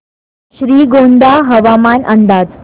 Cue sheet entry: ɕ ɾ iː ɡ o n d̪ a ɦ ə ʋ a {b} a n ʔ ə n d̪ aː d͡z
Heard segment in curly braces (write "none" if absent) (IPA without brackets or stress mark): m